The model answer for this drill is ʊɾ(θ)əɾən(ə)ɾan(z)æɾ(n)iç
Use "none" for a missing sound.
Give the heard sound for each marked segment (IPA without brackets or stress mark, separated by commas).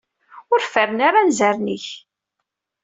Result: f, a, z, n